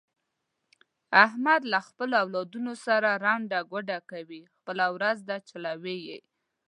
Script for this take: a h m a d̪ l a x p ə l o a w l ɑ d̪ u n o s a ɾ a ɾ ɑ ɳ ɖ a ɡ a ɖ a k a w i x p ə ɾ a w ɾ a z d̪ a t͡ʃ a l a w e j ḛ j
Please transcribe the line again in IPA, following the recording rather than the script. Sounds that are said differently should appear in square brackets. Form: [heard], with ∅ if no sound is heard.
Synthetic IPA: a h m a d̪ l a x p ə l o a w l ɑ d̪ u n o s a ɾ a ɾ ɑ ɳ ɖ a ɡ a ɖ a k a w i x p ə [l] a w ɾ a z d̪ a t͡ʃ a l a w e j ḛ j